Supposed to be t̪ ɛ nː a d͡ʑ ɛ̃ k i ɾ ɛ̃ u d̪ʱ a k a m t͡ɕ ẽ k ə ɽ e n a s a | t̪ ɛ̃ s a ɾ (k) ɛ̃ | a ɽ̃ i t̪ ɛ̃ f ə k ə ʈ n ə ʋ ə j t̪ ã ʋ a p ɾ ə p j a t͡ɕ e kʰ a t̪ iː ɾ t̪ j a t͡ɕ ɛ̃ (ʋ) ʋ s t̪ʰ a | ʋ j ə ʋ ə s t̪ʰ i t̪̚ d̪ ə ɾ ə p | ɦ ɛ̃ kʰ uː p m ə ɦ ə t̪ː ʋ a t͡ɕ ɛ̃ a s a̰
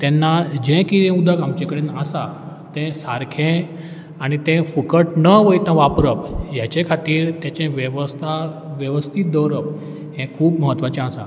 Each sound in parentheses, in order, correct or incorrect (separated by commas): incorrect, correct